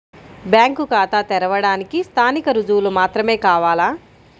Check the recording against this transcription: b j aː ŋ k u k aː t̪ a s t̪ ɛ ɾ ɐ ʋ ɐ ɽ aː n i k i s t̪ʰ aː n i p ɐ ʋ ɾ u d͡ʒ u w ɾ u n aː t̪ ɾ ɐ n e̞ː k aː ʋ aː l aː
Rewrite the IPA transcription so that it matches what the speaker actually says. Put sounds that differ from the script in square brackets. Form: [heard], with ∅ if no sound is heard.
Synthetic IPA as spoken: b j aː ŋ k u k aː t̪ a [∅] t̪ ɛ ɾ ɐ ʋ ɐ ɽ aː n i k i s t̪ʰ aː n i [k] ɐ [∅] ɾ u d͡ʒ u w [l] u [m] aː t̪ ɾ ɐ [m] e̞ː k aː ʋ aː l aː